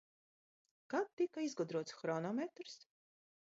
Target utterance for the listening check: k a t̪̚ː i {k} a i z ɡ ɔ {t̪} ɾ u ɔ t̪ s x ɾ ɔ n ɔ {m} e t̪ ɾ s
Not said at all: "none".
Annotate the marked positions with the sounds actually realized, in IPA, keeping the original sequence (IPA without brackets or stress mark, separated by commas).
k, d̪, m